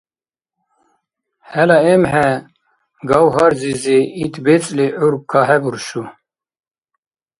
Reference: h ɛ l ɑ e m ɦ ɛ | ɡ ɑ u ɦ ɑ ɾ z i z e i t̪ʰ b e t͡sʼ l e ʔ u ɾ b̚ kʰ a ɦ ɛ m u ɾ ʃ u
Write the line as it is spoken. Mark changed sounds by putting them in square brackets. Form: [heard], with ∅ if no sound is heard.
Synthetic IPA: h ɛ l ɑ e m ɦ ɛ | ɡ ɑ [w] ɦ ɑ ɾ z i z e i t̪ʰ b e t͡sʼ l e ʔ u ɾ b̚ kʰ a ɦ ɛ [b] u ɾ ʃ u

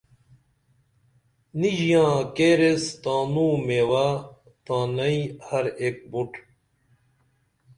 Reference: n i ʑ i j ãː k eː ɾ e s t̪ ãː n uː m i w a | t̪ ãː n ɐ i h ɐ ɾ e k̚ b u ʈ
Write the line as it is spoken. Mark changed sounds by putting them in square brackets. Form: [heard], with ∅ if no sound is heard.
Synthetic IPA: n i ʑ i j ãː k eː ɾ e s t̪ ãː n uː m [e] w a | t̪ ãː n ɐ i h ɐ ɾ e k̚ b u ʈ

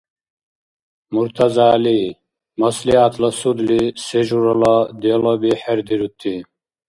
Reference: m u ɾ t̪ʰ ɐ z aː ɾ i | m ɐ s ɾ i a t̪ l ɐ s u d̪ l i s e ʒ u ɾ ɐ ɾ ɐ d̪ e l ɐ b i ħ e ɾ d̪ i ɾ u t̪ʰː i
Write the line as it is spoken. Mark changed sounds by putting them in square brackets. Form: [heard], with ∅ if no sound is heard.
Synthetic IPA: m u ɾ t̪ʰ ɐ z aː [l] i | m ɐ s [l] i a t̪ l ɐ s u d̪ l i s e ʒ u ɾ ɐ [l] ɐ d̪ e l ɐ b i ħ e ɾ d̪ i ɾ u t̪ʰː i

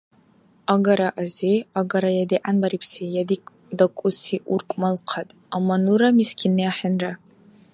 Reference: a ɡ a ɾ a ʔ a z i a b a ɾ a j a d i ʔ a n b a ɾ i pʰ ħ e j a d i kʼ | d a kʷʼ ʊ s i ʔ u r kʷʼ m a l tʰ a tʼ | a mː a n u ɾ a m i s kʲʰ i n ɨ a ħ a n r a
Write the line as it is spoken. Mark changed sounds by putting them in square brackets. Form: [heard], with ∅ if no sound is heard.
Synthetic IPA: a ɡ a ɾ a ʔ a z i a [ɡ] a ɾ a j a d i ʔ a n b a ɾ i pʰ [s] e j a d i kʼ | d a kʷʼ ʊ s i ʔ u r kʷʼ m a l [qʰ] a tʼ | a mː a n u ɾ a m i s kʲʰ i n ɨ a ħ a n r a

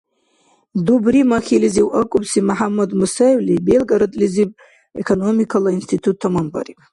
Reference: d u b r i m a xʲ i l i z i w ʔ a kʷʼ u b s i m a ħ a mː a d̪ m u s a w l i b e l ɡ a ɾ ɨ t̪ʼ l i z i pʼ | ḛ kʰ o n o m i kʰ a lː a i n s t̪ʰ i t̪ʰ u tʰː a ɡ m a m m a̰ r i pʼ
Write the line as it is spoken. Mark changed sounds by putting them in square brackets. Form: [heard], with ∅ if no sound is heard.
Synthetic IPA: d u b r i m a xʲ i l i z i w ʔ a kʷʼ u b s i m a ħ a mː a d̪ m u s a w l i b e l ɡ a ɾ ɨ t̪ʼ l i z i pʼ | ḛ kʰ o n o m i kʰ a [l] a i n s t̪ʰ i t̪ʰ u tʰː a [∅] m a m [b] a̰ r i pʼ

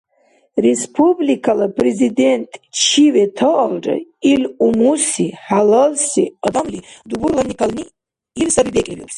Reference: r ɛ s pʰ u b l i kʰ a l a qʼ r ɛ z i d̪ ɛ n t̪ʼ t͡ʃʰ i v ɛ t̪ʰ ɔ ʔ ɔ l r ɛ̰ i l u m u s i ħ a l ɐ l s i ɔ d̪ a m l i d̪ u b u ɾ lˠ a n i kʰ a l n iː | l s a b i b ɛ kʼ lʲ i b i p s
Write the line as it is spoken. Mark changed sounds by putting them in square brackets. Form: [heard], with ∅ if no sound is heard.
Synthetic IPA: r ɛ s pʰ u b l i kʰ a l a [pʼ] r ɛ z i d̪ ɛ n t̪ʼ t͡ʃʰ i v ɛ t̪ʰ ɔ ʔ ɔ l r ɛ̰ i l u m u s i ħ a l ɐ l s i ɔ d̪ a m l i d̪ u b u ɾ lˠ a n i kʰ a l n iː | l s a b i b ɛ kʼ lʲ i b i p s

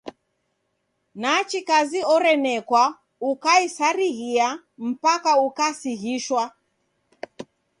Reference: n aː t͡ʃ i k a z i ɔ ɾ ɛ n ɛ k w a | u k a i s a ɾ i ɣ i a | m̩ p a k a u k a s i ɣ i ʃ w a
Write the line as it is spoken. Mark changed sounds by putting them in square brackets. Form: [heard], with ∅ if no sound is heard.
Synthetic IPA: n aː t͡ʃ i k a z i ɔ ɾ ɛ n ɛ k w a | u k a i s a ɾ i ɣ i a | m̩ p a k a u k a s i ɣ i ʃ w a

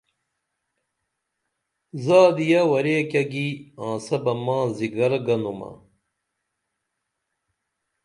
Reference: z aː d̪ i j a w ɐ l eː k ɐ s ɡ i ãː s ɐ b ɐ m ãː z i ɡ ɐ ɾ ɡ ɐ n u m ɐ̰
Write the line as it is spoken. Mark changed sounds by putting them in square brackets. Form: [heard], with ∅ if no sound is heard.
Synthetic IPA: z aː d̪ i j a w ɐ [ɾ] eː k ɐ [∅] ɡ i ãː s ɐ b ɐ m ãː z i ɡ ɐ ɾ ɡ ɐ n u m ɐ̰

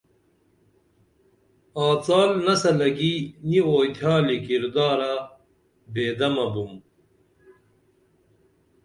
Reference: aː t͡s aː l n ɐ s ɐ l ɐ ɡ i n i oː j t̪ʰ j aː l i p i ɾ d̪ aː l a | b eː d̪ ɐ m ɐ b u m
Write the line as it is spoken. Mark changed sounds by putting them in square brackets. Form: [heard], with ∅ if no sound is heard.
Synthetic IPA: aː t͡s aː l n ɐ s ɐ l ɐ ɡ i n i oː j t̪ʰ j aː l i [k] i ɾ d̪ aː [ɾ] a | b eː d̪ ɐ m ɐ b u m

